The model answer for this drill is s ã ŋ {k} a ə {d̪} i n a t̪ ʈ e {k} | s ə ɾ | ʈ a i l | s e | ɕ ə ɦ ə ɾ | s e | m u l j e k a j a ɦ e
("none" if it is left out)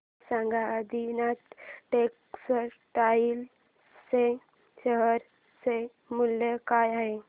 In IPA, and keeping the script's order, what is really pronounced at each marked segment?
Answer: ɡ, d̪, k

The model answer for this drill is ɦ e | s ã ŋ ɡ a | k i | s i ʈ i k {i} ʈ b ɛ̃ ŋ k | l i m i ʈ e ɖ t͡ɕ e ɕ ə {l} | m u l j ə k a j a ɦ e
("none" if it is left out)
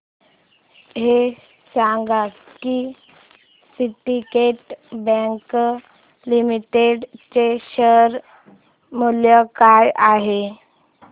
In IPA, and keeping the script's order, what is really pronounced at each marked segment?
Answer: e, ɾ

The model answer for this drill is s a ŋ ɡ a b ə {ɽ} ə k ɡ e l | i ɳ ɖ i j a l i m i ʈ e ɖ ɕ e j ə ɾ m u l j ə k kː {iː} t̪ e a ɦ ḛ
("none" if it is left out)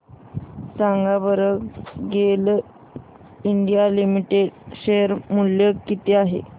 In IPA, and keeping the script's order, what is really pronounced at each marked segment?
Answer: ɾ, i

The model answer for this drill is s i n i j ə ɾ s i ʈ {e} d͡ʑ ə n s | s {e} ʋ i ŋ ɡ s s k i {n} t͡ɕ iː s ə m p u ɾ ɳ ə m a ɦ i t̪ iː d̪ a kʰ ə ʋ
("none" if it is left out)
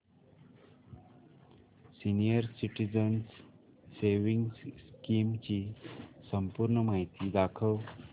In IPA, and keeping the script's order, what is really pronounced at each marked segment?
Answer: i, e, m

